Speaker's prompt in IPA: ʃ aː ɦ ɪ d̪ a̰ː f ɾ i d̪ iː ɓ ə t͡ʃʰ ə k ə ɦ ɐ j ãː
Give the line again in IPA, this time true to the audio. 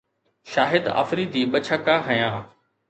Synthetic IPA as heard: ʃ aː ɦ ɪ d̪ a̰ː f ɾ i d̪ iː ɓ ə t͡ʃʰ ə k a ɦ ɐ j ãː